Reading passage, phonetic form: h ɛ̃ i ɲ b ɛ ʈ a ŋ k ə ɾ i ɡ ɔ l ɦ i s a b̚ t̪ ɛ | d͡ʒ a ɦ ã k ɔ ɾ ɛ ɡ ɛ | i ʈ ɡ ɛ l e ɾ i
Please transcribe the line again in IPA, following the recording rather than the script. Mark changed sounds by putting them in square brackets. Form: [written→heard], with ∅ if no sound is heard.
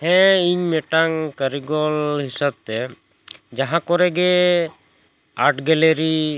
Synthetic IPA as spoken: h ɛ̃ i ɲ [b→m] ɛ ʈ a ŋ k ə ɾ i ɡ ɔ l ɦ i s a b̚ t̪ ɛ | d͡ʒ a ɦ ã k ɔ ɾ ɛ ɡ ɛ | [i→a] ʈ ɡ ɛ l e ɾ i